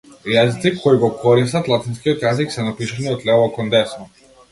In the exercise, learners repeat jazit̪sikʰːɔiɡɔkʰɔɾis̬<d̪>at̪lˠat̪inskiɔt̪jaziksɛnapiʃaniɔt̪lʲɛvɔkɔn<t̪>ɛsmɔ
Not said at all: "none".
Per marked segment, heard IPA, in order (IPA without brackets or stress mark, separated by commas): t̪, d̪